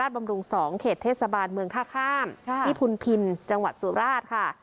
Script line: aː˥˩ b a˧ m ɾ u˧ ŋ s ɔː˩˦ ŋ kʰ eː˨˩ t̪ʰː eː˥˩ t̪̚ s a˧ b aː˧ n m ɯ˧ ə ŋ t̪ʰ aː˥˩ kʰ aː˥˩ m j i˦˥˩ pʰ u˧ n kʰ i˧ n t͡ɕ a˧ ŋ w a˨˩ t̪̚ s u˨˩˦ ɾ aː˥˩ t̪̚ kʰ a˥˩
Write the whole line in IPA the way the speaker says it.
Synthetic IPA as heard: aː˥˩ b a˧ m ɾ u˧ ŋ s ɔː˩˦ ŋ kʰ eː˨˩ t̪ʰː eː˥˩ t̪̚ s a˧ b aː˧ n m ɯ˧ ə ŋ t̪ʰ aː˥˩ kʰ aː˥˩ m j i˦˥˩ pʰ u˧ n pʰ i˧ n t͡ɕ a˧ ŋ w a˨˩ t̪̚ s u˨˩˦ ɾ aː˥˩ t̪̚ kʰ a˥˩